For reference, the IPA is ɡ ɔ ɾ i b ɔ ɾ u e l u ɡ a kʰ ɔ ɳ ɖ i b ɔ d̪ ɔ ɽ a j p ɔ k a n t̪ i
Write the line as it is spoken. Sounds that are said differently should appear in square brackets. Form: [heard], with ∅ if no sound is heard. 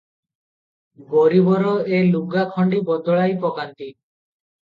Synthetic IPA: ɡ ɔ ɾ i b ɔ ɾ [ɔ] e l u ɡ a kʰ ɔ ɳ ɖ i b ɔ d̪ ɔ [ɭ] a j p ɔ k a n t̪ i